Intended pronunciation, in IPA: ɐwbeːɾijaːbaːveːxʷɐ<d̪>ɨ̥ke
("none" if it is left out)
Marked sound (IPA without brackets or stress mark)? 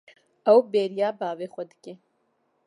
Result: d̪